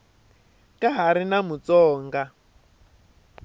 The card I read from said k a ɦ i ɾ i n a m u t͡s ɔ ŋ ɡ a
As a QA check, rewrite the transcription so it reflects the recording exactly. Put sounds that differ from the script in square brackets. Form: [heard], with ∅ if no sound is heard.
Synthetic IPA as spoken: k a ɦ [a] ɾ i n a m u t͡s [ɔː] ŋ ɡ a